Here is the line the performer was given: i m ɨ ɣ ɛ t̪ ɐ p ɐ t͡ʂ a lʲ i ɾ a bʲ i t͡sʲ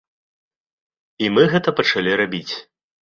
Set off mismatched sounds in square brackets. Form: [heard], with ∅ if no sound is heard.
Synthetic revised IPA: i m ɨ ɣ ɛ t̪ ɐ p ɐ t͡ʂ a lʲ i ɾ a bʲ i t͡sʲ